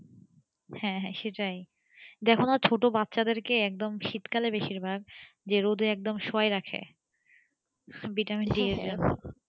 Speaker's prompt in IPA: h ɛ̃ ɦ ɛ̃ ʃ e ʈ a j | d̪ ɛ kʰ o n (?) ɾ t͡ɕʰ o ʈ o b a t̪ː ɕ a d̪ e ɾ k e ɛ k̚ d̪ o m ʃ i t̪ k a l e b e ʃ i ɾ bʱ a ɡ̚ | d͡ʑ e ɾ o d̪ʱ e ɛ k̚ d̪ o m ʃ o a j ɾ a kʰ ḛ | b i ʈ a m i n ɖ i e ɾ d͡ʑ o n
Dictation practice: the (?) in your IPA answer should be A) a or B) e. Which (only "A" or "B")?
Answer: A